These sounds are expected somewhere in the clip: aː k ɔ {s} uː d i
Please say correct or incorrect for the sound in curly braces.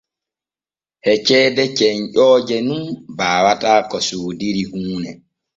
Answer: correct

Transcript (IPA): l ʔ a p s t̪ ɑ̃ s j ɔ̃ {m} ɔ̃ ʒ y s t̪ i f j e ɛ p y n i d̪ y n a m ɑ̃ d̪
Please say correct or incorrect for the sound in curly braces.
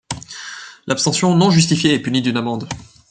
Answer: incorrect: n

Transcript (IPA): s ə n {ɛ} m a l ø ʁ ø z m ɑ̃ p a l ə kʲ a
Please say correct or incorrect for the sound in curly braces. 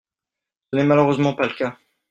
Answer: correct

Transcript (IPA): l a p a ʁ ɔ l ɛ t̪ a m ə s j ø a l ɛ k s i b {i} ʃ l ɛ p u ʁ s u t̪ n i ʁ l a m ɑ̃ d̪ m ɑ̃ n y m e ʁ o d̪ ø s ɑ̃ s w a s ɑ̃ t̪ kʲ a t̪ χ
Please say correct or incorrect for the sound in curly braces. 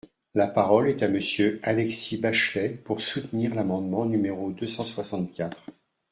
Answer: incorrect: a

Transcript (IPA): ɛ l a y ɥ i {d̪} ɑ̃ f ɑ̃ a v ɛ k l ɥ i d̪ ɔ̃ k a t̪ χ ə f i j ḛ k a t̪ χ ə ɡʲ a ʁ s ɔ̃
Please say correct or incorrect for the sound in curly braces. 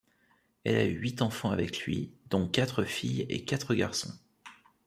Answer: incorrect: t̪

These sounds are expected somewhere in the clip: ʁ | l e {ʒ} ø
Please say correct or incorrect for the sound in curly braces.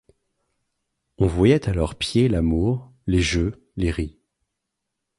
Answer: correct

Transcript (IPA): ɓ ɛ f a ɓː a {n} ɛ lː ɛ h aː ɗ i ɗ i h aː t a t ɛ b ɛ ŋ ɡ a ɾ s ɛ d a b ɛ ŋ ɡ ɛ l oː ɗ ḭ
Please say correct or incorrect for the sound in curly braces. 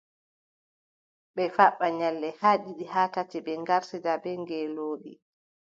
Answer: incorrect: ɲ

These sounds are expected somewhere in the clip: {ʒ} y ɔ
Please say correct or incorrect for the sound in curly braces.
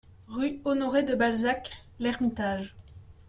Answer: incorrect: ʁ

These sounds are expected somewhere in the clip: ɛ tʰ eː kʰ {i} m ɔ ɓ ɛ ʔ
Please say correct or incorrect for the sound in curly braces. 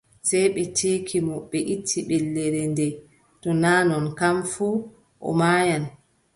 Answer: correct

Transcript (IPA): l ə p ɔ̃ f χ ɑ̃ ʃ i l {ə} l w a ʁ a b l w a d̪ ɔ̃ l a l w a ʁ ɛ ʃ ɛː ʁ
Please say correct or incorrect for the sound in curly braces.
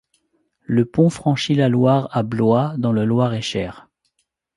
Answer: incorrect: a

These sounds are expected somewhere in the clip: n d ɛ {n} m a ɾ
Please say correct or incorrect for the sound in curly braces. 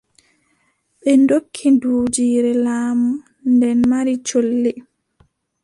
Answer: correct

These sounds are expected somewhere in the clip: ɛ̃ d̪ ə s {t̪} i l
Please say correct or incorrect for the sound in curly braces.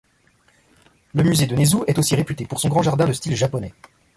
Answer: correct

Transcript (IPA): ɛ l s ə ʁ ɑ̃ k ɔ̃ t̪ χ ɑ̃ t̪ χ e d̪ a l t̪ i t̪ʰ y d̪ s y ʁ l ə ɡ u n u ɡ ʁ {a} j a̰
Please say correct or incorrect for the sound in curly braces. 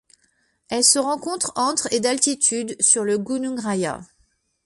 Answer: correct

